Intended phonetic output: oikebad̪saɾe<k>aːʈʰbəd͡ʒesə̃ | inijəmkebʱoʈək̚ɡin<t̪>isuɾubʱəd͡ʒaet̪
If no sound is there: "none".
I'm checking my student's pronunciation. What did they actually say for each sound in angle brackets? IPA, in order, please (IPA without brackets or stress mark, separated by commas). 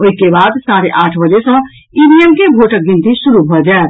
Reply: ʔ, t̪